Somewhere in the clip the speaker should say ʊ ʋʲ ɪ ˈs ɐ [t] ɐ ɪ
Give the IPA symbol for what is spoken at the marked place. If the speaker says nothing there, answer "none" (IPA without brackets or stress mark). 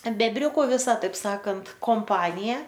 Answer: t